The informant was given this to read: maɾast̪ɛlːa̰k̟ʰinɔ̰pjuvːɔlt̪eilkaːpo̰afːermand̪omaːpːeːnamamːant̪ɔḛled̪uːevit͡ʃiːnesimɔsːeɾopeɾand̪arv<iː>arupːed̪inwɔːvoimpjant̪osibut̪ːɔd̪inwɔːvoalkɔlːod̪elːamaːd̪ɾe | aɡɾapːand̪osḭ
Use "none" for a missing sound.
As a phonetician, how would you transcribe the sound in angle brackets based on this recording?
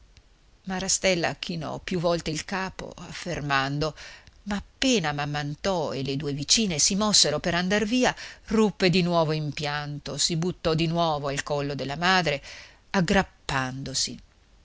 iː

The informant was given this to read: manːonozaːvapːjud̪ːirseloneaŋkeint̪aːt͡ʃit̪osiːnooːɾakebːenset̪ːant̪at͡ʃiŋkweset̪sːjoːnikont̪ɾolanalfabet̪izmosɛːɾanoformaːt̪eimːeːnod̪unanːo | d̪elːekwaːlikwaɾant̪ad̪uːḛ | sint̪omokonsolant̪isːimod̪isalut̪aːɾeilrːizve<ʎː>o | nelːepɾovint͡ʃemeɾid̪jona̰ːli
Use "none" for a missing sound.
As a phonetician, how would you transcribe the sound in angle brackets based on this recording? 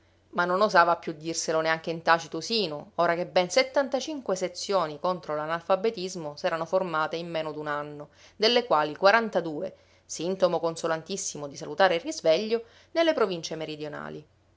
ʎː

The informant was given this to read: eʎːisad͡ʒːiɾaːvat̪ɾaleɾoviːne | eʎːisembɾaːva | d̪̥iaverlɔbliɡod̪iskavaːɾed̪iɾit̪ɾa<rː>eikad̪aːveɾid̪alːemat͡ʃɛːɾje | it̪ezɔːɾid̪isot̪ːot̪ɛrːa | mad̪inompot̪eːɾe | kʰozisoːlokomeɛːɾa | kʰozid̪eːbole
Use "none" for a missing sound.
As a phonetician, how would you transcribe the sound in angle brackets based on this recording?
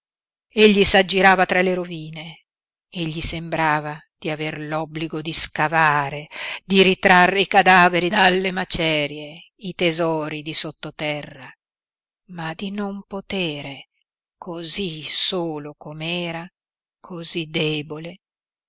rː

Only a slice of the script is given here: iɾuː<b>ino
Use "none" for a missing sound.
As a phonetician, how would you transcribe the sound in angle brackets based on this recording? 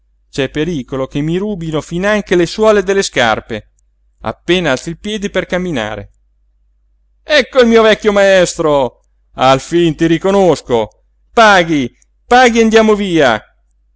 b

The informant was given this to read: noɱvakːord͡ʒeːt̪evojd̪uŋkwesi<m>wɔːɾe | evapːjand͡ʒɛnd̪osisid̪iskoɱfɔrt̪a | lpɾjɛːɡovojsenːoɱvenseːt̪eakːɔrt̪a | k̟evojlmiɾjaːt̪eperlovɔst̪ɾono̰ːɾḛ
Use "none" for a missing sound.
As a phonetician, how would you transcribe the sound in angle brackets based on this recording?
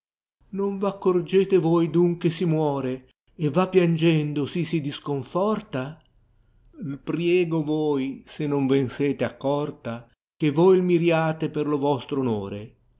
m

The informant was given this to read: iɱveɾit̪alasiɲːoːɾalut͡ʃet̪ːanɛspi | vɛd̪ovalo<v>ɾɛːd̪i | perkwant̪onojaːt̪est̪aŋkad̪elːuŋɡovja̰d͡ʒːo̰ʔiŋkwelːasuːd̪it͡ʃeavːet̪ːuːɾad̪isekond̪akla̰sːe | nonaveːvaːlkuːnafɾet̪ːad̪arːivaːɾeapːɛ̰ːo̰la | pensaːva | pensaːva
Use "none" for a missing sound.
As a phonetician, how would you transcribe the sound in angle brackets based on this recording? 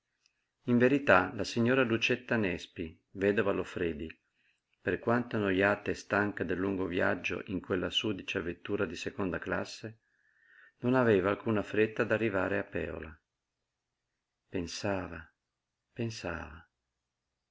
f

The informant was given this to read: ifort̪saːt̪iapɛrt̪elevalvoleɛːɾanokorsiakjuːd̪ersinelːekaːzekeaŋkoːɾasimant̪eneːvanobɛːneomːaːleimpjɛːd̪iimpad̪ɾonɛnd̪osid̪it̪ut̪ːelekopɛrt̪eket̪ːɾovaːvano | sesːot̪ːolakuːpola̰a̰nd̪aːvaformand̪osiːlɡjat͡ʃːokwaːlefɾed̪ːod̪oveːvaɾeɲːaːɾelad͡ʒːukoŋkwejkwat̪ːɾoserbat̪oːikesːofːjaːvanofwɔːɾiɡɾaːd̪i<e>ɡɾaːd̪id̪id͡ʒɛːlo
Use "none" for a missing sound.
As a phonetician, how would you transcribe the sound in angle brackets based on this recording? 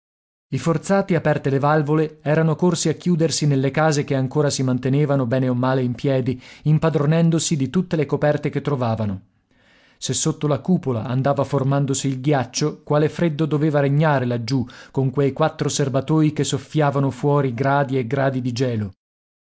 e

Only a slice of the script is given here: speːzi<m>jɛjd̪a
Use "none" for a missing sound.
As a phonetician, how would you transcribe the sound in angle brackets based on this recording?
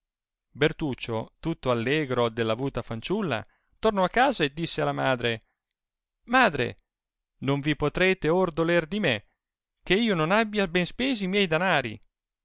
m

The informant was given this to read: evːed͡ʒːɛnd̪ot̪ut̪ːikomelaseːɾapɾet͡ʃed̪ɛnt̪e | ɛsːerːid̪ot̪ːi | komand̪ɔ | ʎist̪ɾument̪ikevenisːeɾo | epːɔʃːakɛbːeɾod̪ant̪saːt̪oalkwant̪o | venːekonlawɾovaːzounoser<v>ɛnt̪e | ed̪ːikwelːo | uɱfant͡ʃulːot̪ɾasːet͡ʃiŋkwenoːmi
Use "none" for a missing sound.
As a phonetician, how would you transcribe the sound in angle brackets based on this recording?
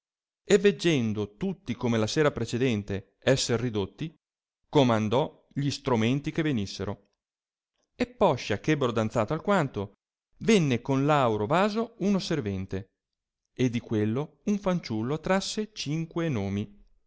v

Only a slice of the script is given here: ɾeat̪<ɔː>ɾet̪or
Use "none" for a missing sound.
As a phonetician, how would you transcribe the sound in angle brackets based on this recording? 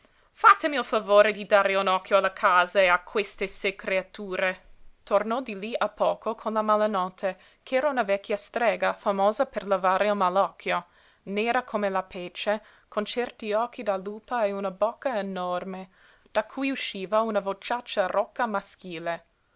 uː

